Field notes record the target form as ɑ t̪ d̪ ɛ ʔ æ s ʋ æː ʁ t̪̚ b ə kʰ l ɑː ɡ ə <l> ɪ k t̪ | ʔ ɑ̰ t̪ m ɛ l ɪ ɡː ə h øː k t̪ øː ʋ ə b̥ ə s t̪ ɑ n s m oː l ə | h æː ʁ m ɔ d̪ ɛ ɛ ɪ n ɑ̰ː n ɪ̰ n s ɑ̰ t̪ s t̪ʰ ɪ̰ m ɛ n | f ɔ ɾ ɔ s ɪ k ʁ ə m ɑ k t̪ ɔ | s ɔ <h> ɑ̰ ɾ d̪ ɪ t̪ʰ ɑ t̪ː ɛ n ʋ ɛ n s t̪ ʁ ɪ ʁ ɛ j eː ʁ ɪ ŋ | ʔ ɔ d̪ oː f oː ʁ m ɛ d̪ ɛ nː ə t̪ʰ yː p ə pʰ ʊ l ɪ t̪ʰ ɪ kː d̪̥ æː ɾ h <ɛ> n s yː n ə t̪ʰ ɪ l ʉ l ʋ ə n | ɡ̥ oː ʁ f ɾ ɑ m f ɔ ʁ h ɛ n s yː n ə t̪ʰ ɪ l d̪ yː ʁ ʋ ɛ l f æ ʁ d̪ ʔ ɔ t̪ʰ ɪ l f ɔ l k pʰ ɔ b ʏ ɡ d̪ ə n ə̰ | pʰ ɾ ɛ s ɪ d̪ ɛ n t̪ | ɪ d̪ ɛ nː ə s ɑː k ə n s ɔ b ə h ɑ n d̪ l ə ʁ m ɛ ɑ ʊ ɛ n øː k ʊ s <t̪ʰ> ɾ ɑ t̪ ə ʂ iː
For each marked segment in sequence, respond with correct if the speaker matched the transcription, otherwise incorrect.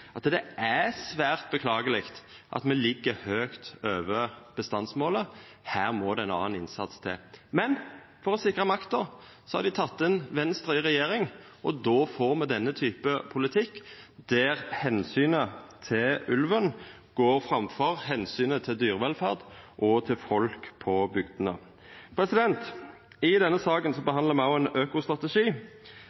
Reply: correct, correct, correct, incorrect

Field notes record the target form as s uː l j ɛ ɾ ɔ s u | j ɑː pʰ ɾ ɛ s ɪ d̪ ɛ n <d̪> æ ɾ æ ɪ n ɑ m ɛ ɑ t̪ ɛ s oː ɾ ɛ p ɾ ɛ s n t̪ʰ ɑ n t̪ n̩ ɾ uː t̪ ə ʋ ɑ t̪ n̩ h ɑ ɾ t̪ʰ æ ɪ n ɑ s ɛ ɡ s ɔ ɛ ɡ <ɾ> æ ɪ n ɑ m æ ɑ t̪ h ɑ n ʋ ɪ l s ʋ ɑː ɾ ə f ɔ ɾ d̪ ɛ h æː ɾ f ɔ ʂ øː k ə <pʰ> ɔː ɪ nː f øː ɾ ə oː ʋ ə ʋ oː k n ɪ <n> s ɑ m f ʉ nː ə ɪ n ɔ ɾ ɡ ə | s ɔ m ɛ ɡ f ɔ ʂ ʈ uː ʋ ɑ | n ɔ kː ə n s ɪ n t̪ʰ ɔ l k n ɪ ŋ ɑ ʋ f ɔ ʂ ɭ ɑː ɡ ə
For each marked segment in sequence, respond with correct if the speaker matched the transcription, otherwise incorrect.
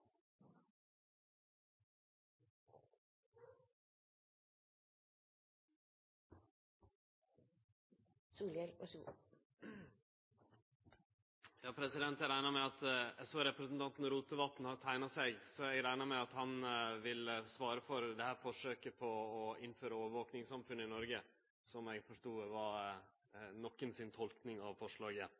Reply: incorrect, correct, correct, incorrect

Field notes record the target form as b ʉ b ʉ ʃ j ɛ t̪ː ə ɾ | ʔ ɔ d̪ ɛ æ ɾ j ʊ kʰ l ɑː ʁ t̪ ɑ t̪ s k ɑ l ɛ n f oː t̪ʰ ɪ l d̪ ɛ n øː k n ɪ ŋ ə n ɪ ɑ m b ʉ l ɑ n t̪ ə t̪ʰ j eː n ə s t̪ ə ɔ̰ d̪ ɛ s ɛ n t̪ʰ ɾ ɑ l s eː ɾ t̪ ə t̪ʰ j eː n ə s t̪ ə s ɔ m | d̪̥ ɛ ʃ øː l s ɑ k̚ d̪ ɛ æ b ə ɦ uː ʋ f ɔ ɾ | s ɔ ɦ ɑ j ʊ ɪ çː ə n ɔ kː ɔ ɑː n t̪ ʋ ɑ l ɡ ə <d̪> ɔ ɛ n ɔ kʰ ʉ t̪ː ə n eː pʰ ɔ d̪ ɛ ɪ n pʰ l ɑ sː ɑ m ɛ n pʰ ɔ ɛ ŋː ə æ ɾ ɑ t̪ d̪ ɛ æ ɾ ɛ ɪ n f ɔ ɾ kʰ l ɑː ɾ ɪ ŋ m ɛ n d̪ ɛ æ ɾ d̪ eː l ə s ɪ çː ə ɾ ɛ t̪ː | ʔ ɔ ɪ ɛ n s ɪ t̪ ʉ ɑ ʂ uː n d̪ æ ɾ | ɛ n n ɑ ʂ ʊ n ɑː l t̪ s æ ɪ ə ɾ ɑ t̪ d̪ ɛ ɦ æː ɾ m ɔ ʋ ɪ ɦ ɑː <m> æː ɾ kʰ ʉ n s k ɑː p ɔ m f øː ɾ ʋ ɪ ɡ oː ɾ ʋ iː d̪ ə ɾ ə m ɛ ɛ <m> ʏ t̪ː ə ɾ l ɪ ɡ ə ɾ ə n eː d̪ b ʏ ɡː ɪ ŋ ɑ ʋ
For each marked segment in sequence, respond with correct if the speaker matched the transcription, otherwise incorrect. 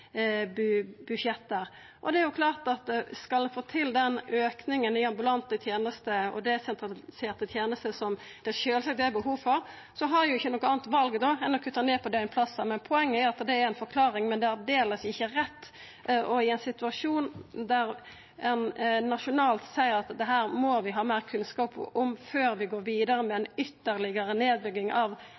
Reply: correct, correct, incorrect

